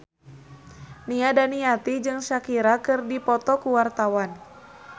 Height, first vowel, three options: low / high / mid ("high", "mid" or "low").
high